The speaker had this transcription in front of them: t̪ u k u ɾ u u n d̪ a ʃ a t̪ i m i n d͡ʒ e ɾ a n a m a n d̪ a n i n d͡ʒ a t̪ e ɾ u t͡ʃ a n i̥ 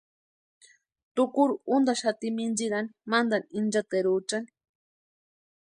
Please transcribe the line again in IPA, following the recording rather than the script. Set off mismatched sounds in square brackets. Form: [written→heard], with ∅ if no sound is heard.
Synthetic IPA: t̪ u k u ɾ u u n d̪ a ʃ a t̪ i m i n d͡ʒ [e→i] ɾ a n [a→i] m a n d̪ a n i n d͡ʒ a t̪ e ɾ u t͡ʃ a n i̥